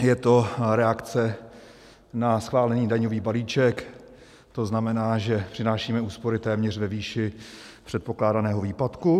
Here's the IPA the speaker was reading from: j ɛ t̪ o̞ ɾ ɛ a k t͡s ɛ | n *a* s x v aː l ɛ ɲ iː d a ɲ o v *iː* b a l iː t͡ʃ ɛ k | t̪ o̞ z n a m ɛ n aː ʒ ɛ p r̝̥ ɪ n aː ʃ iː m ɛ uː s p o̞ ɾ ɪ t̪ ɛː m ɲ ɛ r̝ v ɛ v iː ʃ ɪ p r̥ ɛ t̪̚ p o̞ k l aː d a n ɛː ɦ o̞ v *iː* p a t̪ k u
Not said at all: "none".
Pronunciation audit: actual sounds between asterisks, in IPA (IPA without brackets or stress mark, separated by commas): a, iː, iː